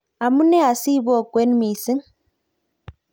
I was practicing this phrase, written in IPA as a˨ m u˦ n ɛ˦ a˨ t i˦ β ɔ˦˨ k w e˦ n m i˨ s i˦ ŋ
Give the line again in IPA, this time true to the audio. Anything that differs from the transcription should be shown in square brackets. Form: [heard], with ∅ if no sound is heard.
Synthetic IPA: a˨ m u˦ n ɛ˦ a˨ [s] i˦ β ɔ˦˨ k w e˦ n m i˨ s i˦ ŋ